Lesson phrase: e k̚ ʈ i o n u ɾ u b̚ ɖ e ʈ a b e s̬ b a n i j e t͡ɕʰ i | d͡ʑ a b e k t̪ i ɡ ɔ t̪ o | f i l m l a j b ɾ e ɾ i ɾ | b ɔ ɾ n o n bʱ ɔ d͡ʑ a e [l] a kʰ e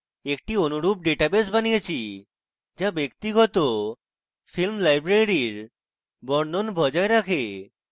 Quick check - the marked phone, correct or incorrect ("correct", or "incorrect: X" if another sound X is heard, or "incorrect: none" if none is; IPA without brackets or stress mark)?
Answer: incorrect: ɾ